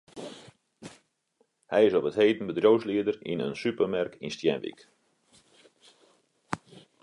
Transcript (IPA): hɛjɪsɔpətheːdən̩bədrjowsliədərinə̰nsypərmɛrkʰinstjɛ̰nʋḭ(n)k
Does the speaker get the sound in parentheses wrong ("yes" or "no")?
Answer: yes